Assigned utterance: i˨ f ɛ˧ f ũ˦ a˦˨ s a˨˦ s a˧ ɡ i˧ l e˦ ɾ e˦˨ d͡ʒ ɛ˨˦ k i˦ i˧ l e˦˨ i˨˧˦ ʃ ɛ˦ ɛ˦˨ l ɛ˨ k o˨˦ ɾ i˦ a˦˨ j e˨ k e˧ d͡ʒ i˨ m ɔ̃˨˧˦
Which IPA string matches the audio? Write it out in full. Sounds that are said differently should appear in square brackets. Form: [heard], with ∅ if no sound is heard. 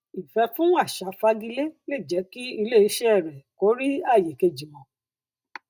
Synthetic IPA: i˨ f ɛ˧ f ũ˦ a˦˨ [ʃ] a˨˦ [f] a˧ ɡ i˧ l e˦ [l] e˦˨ d͡ʒ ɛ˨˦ k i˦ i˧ l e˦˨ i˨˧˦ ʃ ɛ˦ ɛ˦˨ [ɾ] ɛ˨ k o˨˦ ɾ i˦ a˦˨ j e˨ k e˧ d͡ʒ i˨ m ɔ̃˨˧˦